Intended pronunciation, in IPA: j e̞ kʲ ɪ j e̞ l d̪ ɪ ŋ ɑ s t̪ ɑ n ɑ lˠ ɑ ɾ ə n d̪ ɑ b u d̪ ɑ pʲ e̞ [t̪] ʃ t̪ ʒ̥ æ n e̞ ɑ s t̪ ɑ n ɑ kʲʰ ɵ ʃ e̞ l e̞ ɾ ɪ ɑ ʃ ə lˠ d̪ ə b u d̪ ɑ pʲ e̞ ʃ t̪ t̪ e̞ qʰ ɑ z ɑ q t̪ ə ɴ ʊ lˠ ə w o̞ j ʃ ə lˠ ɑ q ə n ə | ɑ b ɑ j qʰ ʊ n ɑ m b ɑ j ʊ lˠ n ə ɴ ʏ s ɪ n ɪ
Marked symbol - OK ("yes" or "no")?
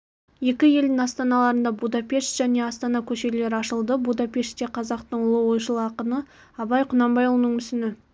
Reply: no